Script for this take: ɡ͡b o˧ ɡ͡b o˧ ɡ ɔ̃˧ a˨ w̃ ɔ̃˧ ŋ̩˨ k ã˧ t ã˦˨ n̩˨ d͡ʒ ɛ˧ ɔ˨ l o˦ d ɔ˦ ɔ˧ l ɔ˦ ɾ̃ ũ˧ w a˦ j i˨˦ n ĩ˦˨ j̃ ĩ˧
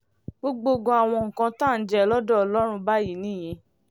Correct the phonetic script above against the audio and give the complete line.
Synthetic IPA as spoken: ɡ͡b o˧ ɡ͡b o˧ ɡ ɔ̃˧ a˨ w̃ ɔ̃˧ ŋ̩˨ k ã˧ t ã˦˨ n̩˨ d͡ʒ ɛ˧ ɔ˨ l ɔ˦ d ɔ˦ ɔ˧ l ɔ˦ ɾ̃ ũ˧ b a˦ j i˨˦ n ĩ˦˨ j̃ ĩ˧